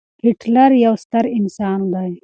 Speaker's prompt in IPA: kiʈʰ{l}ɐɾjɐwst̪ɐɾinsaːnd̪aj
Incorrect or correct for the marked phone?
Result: correct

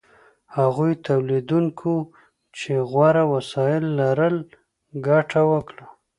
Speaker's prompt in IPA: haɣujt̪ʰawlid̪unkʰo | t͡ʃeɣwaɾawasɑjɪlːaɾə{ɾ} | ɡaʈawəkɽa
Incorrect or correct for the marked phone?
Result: incorrect: l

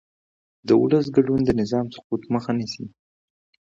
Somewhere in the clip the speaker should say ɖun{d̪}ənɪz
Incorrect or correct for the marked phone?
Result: correct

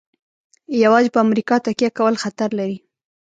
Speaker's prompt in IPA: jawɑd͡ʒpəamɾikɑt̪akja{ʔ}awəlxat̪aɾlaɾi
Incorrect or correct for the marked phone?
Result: incorrect: k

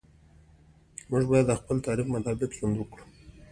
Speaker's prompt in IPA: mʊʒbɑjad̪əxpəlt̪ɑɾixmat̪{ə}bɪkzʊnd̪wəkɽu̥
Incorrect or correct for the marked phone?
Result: incorrect: ɑ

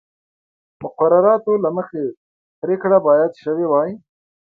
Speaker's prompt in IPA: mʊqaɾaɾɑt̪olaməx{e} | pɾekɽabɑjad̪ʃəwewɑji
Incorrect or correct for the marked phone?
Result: correct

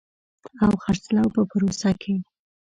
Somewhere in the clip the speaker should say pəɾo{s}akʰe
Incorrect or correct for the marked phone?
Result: correct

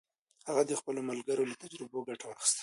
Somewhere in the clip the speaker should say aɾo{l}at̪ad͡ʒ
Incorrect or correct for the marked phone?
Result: correct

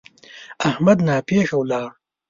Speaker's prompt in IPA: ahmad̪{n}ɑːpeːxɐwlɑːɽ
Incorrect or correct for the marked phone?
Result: correct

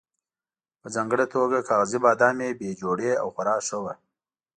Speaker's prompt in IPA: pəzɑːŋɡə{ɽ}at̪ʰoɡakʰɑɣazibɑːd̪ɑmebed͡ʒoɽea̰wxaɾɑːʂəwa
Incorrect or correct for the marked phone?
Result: correct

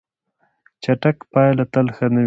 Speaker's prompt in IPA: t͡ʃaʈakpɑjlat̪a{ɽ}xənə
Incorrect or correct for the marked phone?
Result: incorrect: l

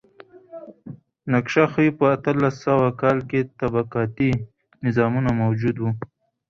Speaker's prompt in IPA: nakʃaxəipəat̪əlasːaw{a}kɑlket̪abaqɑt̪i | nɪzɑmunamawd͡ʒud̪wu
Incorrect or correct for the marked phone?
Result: correct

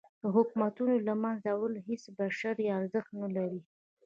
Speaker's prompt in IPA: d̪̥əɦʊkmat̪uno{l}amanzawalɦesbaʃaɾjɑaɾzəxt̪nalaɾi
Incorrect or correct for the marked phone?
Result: correct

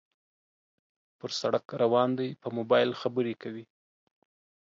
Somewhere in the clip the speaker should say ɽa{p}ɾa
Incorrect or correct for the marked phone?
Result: incorrect: k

